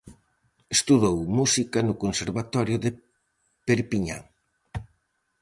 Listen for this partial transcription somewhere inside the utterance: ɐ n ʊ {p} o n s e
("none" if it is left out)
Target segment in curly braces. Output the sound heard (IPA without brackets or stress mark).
k